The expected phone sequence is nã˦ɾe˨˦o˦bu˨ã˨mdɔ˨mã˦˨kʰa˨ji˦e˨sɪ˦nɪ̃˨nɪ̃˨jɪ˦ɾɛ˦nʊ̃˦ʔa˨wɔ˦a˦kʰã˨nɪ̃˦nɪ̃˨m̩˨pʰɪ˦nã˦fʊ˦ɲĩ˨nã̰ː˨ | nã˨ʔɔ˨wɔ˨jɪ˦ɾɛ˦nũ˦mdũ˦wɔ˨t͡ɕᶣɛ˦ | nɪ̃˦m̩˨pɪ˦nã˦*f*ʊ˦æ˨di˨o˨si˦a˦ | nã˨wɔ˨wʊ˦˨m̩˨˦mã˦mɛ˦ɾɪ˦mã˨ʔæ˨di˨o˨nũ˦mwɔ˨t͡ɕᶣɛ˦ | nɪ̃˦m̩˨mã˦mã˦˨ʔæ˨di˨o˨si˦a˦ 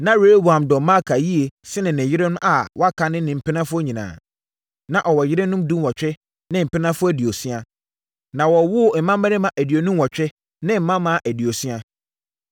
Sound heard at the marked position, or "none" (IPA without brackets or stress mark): f